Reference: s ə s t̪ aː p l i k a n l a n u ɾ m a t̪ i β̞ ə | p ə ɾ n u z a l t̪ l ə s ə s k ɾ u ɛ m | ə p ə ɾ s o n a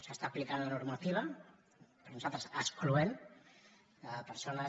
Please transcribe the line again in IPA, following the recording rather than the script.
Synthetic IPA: s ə s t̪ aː p l i k a n l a n u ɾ m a t̪ i β̞ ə | p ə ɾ n u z a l t̪ ɾ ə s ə s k l u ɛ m | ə p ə ɾ s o n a